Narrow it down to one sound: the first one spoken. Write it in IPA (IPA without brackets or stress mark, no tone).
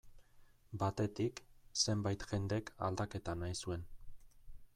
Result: b